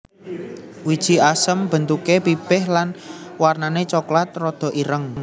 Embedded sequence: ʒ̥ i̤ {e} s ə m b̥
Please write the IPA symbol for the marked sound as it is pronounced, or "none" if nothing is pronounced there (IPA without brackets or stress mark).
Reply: a